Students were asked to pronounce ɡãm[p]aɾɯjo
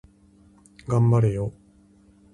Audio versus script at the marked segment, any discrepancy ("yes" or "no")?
yes